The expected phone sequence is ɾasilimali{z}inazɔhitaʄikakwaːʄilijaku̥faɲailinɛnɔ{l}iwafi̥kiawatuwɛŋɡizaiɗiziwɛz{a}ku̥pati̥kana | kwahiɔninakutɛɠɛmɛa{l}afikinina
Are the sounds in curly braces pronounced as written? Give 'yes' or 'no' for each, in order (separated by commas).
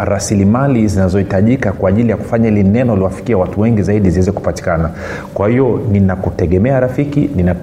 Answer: yes, yes, no, no